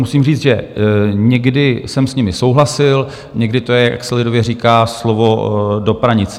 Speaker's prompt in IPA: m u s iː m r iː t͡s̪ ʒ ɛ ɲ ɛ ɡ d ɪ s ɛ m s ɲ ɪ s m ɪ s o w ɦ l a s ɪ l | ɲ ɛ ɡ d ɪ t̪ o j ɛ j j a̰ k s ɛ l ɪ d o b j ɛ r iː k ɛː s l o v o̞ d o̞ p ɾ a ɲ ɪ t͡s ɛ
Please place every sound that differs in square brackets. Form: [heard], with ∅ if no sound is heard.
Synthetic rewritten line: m u s iː m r iː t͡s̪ ʒ ɛ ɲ ɛ ɡ d ɪ s ɛ m s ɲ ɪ [∅] m ɪ s o w ɦ l a s ɪ l | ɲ ɛ ɡ d ɪ t̪ o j ɛ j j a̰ k s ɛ l ɪ d o [v] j ɛ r iː k [aː] s l o v o̞ d o̞ p ɾ a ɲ ɪ t͡s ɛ